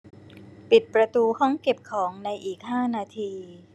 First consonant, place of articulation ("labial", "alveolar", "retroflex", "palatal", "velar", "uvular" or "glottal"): labial